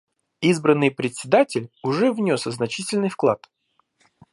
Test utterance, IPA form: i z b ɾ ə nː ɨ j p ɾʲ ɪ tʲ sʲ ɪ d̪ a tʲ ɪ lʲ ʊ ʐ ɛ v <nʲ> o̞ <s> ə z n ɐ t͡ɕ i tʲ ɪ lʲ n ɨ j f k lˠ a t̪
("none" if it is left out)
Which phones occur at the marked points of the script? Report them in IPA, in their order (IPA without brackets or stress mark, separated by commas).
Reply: nʲ, s